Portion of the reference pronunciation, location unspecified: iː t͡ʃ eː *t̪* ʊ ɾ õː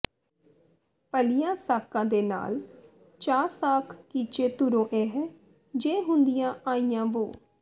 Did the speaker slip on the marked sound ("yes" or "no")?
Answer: no